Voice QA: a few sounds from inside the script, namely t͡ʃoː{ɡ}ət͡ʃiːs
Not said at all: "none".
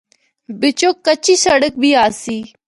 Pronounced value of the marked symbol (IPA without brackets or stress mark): k